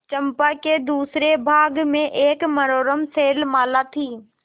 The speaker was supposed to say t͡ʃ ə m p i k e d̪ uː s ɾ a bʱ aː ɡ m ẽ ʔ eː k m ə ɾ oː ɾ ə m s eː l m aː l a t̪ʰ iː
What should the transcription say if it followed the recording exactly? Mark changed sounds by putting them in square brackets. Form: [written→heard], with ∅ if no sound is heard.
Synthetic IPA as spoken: t͡ʃ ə m p [i→a] k e d̪ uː s ɾ [a→e] bʱ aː ɡ m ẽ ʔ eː k m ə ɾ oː ɾ ə m s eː l m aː l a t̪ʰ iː